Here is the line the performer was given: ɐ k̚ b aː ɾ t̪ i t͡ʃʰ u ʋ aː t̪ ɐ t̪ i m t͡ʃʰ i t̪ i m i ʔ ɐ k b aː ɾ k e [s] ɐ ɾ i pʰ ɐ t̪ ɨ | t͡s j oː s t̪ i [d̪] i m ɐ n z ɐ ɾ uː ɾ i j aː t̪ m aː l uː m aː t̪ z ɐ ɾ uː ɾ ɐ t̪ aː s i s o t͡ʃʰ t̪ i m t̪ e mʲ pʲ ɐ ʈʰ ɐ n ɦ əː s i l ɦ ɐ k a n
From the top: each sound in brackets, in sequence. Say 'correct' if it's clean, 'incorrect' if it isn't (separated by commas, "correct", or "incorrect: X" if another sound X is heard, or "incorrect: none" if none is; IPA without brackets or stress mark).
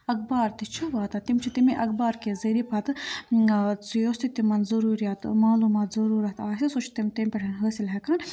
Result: incorrect: z, incorrect: t̪